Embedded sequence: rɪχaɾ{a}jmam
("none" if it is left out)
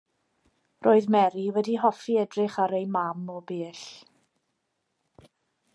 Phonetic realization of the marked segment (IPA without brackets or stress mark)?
e